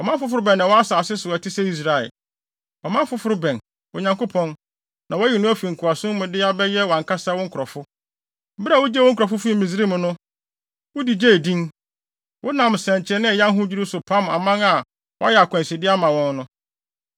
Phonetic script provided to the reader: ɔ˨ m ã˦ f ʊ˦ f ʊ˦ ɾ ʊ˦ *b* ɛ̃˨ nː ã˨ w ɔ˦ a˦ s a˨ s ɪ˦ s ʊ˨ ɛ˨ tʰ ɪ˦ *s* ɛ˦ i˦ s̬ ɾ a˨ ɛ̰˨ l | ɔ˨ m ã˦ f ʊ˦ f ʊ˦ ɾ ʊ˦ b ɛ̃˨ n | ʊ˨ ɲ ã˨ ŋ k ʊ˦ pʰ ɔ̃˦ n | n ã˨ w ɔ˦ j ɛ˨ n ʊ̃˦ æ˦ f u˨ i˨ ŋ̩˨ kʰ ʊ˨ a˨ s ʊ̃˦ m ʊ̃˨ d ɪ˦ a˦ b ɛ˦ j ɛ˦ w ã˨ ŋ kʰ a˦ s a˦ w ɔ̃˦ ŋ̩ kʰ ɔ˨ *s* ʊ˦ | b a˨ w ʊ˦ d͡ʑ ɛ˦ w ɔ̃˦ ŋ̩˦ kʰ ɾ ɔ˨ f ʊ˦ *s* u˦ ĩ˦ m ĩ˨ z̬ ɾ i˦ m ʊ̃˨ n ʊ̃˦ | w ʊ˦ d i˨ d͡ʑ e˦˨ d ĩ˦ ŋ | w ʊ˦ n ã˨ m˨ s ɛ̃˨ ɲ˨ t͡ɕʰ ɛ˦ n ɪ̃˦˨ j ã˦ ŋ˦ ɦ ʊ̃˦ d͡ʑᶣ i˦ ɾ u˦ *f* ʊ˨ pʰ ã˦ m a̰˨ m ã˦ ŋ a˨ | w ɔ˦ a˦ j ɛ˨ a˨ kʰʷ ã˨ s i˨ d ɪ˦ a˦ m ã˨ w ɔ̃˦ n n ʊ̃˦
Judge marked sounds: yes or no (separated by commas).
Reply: yes, yes, no, no, no